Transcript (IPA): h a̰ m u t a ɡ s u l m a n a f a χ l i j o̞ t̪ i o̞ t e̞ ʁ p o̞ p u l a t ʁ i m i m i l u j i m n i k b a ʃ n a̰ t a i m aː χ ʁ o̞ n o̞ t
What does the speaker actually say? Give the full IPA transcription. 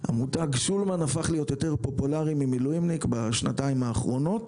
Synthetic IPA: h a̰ m u t a ɡ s u l m a n a f a χ l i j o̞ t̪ j o̞ t e̞ ʁ p o̞ p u l a ʁ i m i m i l u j i m n i k b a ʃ n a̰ t a i m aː χ ʁ o̞ n o̞ t